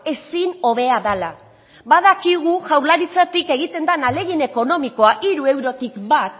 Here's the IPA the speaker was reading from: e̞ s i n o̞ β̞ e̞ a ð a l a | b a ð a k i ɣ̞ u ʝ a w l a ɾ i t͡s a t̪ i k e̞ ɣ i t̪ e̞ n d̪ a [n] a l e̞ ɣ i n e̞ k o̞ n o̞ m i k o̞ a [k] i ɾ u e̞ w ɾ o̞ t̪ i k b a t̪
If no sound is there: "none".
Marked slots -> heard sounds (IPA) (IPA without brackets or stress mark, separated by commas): n, ʔ